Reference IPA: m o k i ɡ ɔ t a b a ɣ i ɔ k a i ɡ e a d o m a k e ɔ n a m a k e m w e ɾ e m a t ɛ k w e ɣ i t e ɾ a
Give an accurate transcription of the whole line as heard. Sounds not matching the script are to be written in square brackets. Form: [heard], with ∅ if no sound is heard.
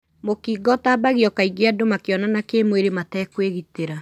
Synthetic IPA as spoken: m o k i ɡ ɔ t a b a ɣ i ɔ k a i ɡ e a d o m a k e ɔ n a [n] a k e m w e ɾ e m a t ɛ k w e ɣ i t e ɾ a